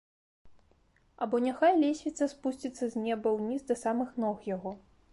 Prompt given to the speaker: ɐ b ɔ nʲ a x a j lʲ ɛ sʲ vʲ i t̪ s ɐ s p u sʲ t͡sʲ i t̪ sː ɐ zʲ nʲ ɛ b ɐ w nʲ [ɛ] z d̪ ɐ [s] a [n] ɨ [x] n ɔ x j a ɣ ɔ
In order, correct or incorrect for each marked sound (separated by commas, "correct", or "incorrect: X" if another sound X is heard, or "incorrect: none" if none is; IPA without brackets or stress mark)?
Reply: incorrect: i, correct, incorrect: m, correct